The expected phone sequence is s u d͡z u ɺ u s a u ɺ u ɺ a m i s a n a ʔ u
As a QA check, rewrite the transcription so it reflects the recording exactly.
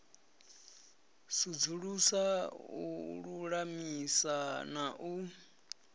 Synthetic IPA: s u d͡z u ɺ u s a u ɺ u ɺ a m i s a n a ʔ u